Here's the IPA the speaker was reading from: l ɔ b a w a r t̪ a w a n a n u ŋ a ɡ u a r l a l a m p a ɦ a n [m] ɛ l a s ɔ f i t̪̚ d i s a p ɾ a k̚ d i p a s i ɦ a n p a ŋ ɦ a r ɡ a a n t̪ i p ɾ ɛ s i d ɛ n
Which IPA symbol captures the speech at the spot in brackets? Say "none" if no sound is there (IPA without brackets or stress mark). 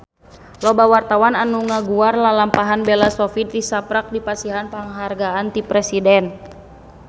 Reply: b